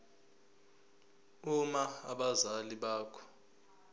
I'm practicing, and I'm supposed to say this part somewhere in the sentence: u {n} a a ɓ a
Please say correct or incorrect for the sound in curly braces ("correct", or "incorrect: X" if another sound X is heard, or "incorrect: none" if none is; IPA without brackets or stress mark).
incorrect: m